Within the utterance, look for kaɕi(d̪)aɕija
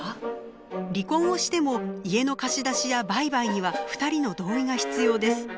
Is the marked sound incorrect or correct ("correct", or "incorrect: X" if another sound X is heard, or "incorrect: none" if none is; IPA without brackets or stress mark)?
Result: correct